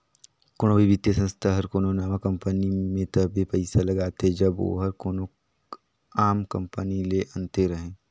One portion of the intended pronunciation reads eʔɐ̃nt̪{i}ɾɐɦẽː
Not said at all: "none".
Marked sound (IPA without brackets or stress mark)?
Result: e